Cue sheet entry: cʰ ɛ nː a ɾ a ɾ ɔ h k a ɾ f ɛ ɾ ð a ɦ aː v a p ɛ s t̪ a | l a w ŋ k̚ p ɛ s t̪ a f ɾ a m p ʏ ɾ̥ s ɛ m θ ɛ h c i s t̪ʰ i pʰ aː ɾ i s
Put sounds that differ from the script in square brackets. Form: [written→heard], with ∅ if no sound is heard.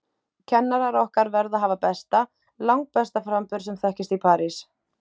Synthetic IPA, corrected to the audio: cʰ ɛ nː a ɾ a ɾ ɔ h k a ɾ [f→v] ɛ ɾ ð a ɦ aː v a p ɛ s t̪ a | l a w ŋ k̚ p ɛ s t̪ a f ɾ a m p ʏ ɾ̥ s ɛ m θ ɛ h c [i→ɪ] s [t̪ʰ→t̪] i pʰ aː ɾ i s